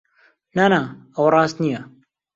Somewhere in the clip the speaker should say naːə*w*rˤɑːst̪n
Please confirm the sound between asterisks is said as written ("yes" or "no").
yes